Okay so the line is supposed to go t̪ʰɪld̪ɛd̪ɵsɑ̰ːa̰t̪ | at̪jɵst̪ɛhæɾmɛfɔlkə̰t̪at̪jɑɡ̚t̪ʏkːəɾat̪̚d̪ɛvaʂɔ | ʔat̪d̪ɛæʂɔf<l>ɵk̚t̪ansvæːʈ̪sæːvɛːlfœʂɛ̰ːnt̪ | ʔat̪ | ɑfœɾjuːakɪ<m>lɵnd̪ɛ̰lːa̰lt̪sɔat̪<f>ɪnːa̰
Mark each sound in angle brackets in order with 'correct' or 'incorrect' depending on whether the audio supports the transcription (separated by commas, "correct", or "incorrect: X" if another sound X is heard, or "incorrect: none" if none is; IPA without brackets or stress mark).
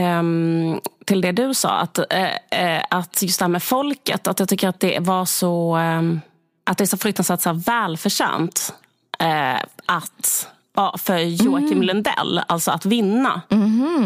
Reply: incorrect: ɾ, correct, incorrect: v